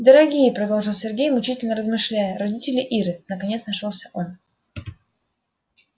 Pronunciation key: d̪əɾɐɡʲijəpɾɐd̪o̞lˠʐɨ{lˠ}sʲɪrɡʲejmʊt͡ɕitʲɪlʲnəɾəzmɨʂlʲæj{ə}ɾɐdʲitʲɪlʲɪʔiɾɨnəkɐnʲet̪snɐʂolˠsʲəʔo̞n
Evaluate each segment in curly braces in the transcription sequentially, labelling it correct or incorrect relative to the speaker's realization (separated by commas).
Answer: correct, correct